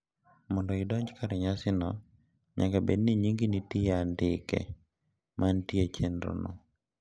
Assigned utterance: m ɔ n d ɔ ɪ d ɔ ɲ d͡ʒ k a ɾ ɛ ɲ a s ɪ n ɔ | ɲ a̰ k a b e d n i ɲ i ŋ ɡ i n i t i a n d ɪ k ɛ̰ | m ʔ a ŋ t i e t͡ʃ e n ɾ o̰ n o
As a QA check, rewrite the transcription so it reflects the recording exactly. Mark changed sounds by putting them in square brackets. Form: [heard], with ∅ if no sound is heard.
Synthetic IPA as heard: m ɔ n d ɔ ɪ d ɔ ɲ d͡ʒ k a ɾ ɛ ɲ a s ɪ n ɔ | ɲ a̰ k a b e d n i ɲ i ŋ ɡ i n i t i a n d ɪ k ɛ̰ | m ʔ a [n] t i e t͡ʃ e n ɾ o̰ n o